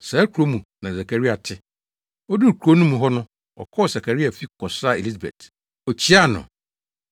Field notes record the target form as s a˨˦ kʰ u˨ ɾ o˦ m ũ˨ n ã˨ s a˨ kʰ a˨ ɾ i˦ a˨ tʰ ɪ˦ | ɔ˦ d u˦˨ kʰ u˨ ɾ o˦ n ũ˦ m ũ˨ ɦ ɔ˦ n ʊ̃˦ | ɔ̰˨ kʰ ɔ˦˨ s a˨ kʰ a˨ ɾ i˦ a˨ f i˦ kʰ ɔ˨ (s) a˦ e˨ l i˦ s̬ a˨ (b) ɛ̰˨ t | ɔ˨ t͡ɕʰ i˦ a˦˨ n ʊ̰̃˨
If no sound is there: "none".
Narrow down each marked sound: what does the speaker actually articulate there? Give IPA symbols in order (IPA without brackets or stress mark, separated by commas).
s, b